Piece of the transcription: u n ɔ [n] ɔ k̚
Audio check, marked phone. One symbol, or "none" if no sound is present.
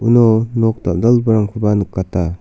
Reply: n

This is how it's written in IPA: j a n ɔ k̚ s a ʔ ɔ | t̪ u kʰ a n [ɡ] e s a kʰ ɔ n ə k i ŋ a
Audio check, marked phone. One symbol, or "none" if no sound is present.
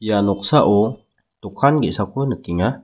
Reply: ɡ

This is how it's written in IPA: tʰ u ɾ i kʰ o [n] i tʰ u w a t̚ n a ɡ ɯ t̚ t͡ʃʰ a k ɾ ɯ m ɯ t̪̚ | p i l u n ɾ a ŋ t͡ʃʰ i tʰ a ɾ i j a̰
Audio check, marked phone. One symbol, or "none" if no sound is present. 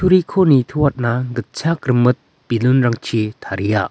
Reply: n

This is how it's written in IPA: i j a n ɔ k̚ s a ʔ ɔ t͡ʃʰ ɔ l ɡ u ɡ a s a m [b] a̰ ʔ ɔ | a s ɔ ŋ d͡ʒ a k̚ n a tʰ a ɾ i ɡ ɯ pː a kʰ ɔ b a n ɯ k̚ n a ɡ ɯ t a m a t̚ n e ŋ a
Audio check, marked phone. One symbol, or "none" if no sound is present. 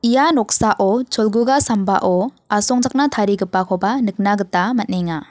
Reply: b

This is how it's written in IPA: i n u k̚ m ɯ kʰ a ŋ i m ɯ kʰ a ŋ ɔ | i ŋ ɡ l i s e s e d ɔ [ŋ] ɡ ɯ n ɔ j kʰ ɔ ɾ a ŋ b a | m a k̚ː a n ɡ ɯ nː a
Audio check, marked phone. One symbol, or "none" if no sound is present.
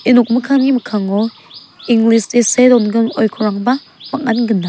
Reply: n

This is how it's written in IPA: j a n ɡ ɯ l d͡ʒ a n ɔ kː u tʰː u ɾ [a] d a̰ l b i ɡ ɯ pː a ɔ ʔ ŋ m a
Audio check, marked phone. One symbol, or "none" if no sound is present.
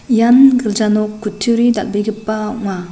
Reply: i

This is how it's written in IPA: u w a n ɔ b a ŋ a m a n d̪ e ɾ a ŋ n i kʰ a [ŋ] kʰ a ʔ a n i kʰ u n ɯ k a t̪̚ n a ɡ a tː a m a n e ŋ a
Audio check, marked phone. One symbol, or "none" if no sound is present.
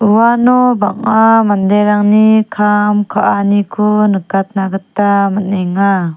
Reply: m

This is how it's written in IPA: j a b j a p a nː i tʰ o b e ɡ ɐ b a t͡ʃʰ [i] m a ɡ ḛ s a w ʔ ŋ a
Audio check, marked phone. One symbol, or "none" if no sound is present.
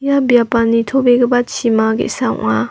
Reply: i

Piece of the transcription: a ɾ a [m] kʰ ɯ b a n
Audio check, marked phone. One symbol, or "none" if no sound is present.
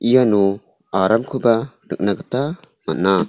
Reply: m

